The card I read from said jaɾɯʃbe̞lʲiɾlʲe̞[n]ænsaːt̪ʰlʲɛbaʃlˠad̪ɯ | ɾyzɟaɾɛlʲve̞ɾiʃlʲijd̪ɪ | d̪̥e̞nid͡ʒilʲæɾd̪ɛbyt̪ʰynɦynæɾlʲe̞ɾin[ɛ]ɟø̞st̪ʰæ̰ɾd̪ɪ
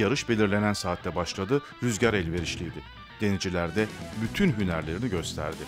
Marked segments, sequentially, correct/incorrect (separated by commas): correct, incorrect